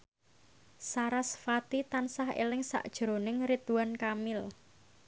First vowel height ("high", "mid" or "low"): low